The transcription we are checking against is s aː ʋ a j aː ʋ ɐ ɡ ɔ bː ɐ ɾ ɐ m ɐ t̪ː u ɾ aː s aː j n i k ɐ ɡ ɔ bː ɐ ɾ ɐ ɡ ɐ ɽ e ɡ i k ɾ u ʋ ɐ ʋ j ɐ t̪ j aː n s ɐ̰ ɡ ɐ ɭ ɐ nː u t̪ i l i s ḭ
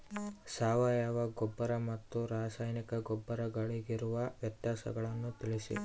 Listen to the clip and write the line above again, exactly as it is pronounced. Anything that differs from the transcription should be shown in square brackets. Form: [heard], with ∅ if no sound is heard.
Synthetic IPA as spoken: s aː ʋ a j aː ʋ ɐ ɡ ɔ bː ɐ ɾ ɐ m ɐ t̪ː u ɾ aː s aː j n i k ɐ ɡ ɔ bː ɐ ɾ ɐ ɡ ɐ [ɭ] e ɡ i [∅] ɾ u ʋ ɐ ʋ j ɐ t̪ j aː [∅] s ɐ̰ ɡ ɐ ɭ ɐ nː u t̪ i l i s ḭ